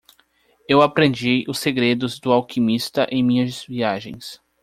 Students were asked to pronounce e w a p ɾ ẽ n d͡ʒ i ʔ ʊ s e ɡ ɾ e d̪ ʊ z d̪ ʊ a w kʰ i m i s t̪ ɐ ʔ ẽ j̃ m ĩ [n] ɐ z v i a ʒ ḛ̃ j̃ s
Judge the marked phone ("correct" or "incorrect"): incorrect